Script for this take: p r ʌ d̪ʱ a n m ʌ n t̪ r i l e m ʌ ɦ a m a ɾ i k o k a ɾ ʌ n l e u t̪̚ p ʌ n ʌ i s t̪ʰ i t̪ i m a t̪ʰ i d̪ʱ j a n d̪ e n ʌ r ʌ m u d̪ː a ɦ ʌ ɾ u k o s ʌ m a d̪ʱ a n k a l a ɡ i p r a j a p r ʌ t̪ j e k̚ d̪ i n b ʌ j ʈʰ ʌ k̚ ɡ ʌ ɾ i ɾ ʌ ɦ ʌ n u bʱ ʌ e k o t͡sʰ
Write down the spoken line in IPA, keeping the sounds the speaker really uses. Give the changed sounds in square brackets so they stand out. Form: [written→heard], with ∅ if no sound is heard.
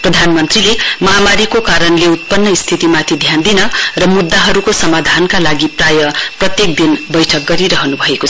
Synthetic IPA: p r ʌ d̪ʱ a n m ʌ n t̪ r i l e m ʌ ɦ a m a ɾ i k o k a ɾ ʌ n l e u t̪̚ p ʌ [n→nː] ʌ i s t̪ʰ i t̪ i m a t̪ʰ i d̪ʱ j a n d̪ [e→i] n ʌ r ʌ m u d̪ː a ɦ ʌ ɾ u k o s ʌ m a d̪ʱ a n k a l a ɡ i p r a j [a→ʌ] p r ʌ t̪ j e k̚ d̪ i n b ʌ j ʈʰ ʌ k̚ ɡ ʌ ɾ i ɾ ʌ ɦ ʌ n u bʱ ʌ e k o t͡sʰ